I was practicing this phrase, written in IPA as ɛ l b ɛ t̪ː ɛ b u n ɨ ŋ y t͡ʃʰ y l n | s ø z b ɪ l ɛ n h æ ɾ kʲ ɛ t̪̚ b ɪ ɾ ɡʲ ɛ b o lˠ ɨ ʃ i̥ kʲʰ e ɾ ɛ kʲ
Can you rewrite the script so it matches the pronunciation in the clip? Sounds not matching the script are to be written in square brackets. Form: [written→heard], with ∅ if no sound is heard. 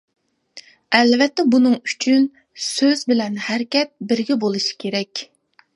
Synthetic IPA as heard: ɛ l [b→v] ɛ t̪ː ɛ b u n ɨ ŋ y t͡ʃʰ y [l→∅] n | s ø z b ɪ l ɛ n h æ ɾ kʲ ɛ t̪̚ b ɪ ɾ ɡʲ ɛ b o lˠ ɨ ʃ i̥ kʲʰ e ɾ ɛ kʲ

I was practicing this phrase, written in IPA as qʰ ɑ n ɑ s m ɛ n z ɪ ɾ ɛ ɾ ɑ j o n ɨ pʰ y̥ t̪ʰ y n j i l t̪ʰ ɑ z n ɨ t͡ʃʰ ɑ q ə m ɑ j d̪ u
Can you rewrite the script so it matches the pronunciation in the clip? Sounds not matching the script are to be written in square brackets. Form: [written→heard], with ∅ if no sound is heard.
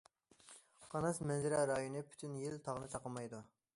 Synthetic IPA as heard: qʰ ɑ n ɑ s m ɛ n z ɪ ɾ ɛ ɾ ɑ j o n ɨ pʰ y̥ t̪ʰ y n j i l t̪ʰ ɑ [z→ʁ] n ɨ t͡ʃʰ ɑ q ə m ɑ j d̪ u

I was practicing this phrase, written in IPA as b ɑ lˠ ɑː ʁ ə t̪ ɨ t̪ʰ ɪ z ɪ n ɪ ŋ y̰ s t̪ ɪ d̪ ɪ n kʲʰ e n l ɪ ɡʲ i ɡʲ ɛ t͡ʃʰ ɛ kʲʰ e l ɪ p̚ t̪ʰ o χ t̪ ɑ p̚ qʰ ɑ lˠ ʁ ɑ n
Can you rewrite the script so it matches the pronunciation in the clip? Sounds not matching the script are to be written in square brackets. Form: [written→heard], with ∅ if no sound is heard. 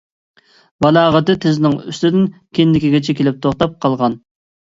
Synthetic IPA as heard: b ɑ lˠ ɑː ʁ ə t̪ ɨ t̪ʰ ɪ z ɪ n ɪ ŋ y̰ s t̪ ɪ d̪ ɪ n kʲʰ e n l ɪ [ɡʲ→kʲ] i ɡʲ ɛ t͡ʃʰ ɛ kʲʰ e l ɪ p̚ t̪ʰ o χ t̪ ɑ p̚ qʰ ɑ lˠ ʁ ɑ n

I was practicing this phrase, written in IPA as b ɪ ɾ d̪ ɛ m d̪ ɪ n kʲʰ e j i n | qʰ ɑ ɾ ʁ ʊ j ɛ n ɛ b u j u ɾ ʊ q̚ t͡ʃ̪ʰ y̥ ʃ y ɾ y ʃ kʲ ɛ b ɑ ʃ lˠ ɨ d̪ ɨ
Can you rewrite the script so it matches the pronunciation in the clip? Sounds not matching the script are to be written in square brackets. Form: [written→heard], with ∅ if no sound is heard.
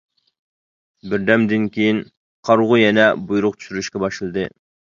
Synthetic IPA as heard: b ɪ ɾ d̪ ɛ m d̪ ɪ n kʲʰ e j i n | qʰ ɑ ɾ ʁ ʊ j ɛ n ɛ b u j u ɾ ʊ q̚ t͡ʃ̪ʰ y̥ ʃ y ɾ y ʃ kʲ ɛ b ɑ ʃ lˠ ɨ d̪ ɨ

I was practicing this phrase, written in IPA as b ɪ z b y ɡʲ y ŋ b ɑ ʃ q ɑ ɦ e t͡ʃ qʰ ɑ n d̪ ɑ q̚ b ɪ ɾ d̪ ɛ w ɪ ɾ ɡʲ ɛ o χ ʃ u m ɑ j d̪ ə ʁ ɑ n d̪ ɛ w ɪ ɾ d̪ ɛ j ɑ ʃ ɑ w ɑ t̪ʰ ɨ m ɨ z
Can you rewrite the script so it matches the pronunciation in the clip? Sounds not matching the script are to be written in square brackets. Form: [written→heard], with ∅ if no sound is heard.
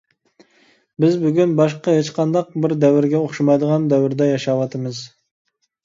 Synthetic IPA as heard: b ɪ z b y ɡʲ y [ŋ→n] b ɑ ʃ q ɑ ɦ e t͡ʃ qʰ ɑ n d̪ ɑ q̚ b ɪ ɾ d̪ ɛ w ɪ ɾ ɡʲ ɛ o χ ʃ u m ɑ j d̪ ə ʁ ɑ n d̪ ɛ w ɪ ɾ d̪ ɛ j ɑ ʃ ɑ w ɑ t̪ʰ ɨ m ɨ z

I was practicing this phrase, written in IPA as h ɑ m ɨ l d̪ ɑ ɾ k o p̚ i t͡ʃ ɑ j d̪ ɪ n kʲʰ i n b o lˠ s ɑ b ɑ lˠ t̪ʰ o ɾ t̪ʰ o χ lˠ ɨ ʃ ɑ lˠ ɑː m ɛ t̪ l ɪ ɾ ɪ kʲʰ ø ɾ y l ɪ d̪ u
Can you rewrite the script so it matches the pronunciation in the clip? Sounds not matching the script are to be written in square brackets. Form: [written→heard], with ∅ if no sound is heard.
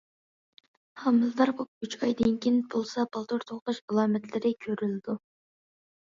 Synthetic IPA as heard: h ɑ m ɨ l d̪ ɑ ɾ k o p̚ [i→y] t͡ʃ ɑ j d̪ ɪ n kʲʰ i n b o lˠ s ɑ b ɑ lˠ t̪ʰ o ɾ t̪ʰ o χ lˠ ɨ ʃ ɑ lˠ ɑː m ɛ t̪ l ɪ ɾ ɪ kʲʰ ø ɾ y l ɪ d̪ u

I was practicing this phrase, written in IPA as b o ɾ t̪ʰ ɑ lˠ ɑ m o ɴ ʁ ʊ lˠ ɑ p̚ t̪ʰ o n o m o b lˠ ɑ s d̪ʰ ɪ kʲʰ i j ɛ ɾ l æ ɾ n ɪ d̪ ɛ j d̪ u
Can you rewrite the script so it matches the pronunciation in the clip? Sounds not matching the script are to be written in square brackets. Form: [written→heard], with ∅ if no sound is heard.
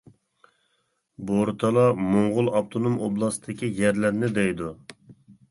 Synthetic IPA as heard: b o ɾ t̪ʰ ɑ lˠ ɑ m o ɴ ʁ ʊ lˠ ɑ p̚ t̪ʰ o n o m o b lˠ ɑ s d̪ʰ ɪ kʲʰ i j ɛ ɾ l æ ɾ n ɪ d̪ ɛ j d̪ u

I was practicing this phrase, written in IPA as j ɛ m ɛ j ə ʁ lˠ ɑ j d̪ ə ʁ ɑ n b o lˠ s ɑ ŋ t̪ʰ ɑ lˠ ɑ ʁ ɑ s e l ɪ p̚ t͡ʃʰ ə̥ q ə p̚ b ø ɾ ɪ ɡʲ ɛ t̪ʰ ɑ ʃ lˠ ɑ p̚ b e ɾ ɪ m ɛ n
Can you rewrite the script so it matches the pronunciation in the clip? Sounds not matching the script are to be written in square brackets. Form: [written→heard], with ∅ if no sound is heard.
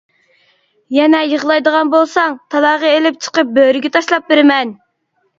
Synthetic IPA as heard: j ɛ [m→n] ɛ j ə ʁ lˠ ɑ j d̪ ə ʁ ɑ n b o lˠ s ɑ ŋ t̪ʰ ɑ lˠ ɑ ʁ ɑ [s→∅] e l ɪ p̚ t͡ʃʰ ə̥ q ə p̚ b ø ɾ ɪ ɡʲ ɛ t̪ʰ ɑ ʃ lˠ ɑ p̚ b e ɾ ɪ m ɛ n

